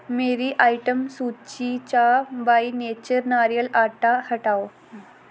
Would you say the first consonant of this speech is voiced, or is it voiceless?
voiced